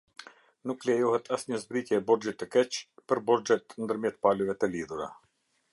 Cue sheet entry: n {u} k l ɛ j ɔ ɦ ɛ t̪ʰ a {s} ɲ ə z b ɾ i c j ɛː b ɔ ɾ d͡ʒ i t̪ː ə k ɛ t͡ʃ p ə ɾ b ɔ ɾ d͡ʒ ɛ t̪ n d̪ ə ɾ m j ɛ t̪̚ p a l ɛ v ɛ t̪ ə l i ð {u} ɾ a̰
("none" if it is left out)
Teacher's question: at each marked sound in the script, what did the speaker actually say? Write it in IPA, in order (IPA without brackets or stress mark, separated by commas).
u, s, u